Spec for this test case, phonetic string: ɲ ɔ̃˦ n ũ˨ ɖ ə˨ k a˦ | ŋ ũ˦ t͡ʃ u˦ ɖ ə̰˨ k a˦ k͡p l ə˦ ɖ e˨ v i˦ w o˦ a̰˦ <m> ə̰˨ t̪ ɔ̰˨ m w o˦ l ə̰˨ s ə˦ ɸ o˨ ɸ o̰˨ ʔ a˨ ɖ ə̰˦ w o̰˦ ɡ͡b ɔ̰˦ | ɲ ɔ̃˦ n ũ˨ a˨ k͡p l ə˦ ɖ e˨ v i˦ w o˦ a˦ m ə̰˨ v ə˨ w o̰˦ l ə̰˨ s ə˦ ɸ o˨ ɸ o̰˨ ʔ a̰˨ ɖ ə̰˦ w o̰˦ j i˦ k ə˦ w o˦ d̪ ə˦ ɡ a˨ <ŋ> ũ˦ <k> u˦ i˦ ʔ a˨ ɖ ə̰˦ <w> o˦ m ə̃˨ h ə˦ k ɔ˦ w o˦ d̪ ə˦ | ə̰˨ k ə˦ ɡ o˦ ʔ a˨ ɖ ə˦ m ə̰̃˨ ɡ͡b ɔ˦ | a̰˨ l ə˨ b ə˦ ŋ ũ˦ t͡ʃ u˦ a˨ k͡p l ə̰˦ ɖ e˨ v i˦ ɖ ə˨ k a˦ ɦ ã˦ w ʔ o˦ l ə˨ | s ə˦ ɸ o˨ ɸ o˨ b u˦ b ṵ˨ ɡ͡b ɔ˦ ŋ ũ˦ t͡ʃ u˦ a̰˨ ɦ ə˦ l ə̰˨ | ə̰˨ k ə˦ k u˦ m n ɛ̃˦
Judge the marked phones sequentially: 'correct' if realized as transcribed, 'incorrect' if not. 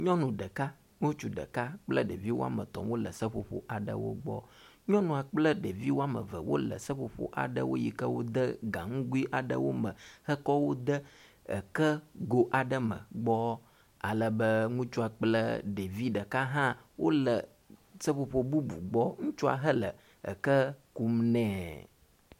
correct, correct, incorrect, correct

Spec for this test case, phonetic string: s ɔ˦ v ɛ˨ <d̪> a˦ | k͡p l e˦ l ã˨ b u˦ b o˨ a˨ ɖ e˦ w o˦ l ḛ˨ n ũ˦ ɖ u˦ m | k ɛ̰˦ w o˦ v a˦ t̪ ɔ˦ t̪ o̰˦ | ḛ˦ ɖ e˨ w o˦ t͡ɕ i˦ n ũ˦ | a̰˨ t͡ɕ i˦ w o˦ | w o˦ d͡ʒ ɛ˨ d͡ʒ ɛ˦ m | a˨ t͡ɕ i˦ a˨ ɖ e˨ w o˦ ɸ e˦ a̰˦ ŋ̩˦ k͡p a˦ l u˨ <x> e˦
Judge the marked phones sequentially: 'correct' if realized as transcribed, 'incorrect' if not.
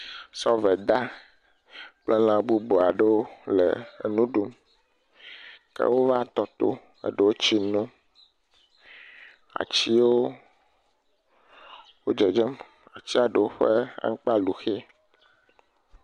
correct, correct

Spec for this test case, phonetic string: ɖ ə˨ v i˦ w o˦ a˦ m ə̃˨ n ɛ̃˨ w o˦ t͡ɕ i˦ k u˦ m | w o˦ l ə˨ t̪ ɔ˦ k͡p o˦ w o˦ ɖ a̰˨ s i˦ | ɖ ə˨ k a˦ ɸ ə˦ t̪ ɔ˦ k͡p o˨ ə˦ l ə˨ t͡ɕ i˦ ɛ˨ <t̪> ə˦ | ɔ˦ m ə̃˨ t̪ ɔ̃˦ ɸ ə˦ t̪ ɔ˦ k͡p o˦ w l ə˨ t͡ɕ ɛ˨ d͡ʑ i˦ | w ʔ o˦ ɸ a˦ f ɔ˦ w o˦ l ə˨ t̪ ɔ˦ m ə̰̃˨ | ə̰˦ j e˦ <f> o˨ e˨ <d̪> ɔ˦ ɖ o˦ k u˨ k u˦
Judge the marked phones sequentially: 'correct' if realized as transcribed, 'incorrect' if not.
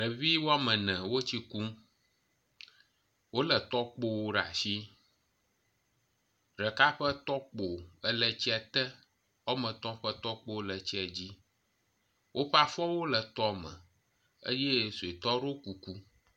correct, incorrect, incorrect

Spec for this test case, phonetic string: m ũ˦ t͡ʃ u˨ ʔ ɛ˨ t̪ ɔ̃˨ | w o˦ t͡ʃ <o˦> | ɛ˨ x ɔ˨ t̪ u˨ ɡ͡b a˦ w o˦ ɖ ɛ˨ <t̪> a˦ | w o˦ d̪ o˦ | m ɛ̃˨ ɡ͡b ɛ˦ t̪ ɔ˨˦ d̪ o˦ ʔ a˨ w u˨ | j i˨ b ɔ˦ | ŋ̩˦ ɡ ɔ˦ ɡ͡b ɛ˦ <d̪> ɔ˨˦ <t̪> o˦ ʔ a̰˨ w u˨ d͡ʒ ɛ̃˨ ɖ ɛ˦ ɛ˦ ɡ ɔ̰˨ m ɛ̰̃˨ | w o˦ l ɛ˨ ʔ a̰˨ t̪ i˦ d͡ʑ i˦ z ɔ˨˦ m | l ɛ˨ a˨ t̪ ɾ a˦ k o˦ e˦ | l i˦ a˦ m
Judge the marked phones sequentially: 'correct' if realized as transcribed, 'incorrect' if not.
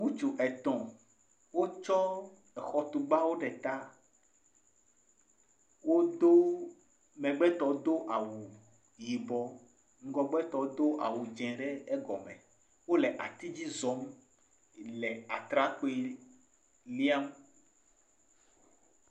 incorrect, correct, incorrect, incorrect

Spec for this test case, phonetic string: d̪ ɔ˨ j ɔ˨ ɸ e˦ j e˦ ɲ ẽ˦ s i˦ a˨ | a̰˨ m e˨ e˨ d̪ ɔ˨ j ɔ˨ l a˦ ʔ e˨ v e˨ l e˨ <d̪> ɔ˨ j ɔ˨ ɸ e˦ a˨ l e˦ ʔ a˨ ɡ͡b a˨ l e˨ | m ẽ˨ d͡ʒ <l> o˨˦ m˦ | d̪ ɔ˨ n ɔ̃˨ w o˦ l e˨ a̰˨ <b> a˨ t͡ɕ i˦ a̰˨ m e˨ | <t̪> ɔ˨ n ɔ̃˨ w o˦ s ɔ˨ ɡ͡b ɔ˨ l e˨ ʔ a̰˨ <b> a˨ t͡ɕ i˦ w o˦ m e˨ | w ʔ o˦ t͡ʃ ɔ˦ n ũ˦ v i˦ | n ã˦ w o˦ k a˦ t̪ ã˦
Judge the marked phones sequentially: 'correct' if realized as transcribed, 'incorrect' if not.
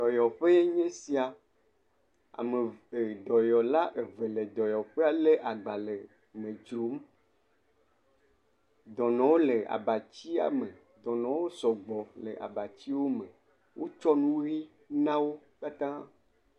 correct, incorrect, correct, incorrect, correct

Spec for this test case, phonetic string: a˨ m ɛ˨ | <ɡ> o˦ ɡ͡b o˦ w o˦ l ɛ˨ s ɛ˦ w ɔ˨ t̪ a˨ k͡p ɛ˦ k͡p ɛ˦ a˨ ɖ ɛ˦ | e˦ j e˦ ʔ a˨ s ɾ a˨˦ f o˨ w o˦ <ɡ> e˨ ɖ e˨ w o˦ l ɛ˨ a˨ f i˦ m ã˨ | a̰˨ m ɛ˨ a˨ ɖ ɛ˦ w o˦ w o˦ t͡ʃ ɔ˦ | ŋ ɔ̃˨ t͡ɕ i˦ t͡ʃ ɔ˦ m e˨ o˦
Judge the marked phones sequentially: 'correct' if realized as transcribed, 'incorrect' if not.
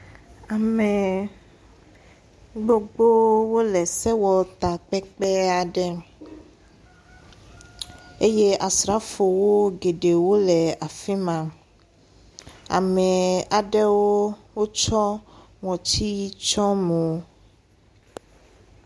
incorrect, correct

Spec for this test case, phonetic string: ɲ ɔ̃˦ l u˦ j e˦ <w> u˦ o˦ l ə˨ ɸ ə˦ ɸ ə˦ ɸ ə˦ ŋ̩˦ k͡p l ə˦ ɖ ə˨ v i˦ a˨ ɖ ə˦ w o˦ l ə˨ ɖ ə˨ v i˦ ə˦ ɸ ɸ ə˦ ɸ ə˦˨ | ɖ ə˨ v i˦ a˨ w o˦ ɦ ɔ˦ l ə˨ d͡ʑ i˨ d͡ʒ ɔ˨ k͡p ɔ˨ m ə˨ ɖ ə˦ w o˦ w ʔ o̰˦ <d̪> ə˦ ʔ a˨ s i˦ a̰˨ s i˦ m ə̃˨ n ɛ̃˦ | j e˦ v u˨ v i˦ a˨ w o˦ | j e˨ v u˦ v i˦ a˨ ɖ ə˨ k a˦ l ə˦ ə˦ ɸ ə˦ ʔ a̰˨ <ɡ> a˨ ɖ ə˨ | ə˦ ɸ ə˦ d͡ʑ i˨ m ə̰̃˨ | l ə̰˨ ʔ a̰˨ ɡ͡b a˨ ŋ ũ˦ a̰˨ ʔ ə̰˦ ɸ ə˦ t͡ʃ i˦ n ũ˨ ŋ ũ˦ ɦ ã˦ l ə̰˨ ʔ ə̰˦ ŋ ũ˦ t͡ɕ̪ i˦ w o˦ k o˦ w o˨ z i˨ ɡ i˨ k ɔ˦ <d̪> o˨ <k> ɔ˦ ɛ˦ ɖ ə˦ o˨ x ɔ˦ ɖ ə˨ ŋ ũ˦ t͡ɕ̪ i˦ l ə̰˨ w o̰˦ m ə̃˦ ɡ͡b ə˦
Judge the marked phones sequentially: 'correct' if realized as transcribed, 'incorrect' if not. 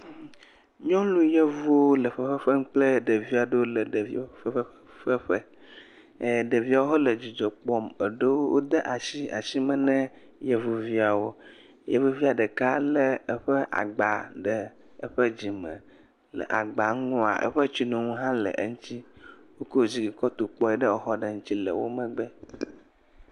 incorrect, correct, incorrect, incorrect, incorrect

